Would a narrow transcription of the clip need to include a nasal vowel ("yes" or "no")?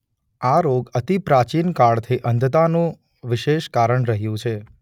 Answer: yes